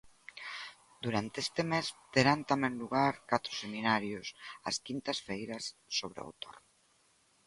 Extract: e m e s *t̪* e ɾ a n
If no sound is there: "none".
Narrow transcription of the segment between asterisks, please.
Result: t̪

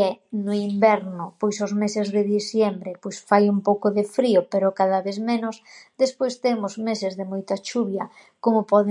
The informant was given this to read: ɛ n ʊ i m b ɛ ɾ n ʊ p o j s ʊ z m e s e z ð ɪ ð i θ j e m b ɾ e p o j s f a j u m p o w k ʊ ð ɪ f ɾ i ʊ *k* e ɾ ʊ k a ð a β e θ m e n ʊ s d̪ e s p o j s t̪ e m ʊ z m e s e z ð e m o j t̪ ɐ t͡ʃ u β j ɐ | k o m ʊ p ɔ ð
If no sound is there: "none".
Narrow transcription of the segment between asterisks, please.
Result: p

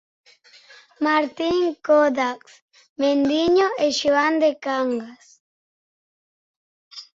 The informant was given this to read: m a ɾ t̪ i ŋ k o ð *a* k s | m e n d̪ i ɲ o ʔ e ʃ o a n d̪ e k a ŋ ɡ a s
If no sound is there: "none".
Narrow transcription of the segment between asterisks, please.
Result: a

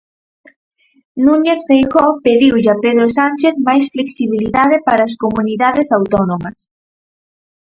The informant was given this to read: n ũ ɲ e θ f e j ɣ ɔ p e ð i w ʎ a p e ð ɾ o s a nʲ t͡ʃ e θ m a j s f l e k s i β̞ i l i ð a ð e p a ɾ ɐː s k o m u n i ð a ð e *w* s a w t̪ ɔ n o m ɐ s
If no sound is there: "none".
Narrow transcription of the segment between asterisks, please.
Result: none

